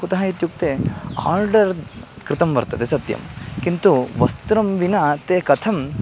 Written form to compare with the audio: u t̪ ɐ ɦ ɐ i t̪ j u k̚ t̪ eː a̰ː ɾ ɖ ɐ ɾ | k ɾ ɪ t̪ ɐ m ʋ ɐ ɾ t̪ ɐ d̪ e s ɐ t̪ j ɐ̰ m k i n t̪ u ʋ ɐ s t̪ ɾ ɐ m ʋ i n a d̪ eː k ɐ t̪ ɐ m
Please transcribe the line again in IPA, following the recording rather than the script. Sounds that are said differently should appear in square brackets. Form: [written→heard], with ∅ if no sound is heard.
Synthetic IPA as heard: u t̪ ɐ ɦ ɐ i t̪ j u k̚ t̪ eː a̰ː ɾ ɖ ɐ ɾ | k ɾ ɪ t̪ ɐ m ʋ ɐ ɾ t̪ ɐ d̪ e s ɐ t̪ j ɐ̰ m k i n t̪ u ʋ ɐ s t̪ ɾ ɐ m ʋ i n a [d̪→t̪] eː k ɐ [t̪→t̪ʰ] ɐ m